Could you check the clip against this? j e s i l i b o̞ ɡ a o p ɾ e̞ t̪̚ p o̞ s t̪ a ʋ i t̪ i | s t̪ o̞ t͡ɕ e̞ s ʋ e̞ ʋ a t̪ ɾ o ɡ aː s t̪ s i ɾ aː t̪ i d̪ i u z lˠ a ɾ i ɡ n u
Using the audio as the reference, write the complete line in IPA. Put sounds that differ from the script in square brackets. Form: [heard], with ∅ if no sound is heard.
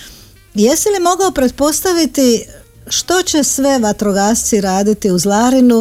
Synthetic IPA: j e s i l i [m] o̞ ɡ a o p ɾ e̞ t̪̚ p o̞ s t̪ a ʋ i t̪ i | [ʃ] t̪ o̞ t͡ɕ e̞ s ʋ e̞ ʋ a t̪ ɾ o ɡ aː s t̪ s i ɾ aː [d̪] i [t̪] i u z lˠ a ɾ i [∅] n u